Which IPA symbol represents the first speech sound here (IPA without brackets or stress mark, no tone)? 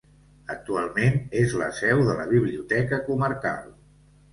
ə